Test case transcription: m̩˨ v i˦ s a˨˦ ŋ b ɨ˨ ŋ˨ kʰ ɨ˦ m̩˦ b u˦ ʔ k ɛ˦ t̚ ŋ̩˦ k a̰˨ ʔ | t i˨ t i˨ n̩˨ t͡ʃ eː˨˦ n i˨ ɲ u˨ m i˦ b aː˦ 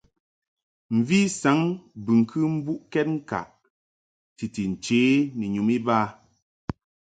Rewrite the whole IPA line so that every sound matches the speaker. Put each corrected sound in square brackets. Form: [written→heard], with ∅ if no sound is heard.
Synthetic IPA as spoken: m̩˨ v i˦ s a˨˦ ŋ b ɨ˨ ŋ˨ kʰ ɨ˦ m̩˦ b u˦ ʔ k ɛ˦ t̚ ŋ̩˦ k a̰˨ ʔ | t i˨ t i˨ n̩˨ t͡ʃ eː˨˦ n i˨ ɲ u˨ m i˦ b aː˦